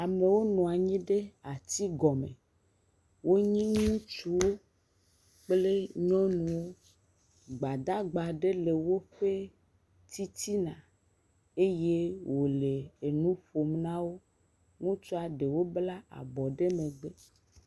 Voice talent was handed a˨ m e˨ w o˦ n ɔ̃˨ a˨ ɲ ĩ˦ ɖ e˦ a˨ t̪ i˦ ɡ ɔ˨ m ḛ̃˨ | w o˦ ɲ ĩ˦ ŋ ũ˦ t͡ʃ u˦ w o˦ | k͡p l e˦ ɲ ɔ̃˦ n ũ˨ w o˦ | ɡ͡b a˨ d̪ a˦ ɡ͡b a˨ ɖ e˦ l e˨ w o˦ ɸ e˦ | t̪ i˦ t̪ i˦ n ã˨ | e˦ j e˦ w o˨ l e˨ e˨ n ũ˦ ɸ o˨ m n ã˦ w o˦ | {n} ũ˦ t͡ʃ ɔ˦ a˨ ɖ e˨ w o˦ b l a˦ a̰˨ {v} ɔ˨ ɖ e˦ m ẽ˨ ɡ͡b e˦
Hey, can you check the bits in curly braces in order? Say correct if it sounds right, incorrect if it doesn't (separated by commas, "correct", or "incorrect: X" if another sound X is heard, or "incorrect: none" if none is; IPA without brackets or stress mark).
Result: incorrect: ŋ, incorrect: b